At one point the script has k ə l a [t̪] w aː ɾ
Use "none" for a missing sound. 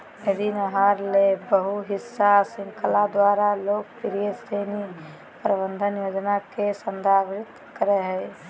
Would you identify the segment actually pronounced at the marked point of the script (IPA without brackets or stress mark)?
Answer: d̪